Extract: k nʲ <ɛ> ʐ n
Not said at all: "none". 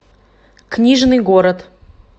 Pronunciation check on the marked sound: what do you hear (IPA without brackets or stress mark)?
i